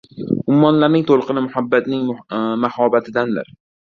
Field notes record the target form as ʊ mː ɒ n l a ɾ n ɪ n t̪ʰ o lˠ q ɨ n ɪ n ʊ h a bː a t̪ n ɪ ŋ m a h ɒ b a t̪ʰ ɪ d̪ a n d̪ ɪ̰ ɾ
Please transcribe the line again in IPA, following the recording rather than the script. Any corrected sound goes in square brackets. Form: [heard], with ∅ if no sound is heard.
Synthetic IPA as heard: ʊ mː ɒ n l a ɾ n ɪ [ŋ] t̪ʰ o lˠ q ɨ n ɪ [m] ʊ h a bː a t̪ n ɪ ŋ m a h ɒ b a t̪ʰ ɪ d̪ a n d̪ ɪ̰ ɾ